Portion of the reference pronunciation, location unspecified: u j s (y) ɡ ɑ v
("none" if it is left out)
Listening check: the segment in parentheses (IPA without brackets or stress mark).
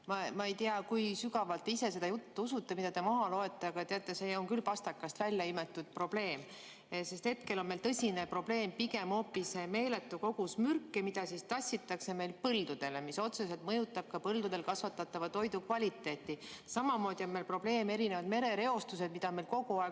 y